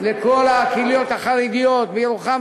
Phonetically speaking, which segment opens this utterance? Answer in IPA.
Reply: l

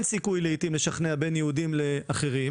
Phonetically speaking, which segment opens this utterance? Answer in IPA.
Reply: n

